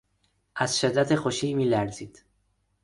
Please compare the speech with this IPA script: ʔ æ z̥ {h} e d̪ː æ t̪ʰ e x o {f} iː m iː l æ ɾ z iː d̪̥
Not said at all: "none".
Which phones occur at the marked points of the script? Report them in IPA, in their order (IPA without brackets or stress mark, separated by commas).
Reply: ʃ, ʃ